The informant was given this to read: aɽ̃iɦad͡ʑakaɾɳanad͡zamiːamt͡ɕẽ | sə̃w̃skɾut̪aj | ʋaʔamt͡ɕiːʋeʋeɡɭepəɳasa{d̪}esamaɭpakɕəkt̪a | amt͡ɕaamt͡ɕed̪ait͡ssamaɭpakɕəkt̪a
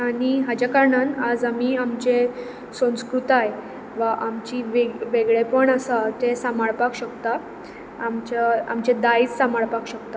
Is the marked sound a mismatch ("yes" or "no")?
yes